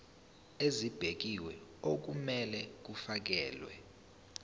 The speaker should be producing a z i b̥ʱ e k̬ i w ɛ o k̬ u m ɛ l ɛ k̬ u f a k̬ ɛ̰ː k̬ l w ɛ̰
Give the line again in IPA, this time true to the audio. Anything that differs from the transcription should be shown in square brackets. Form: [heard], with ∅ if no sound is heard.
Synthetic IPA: [e] z i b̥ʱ e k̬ i w ɛ o k̬ u m ɛ l ɛ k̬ u f a k̬ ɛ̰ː [∅] l w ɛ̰